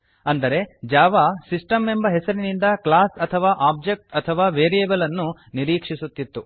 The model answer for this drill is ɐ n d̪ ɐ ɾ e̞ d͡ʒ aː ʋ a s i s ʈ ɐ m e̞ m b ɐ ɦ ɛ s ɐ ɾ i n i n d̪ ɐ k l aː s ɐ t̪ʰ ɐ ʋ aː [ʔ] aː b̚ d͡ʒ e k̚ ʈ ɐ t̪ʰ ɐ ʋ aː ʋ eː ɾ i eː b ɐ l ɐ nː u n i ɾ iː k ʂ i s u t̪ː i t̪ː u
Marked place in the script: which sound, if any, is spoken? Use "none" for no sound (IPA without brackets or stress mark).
ʔ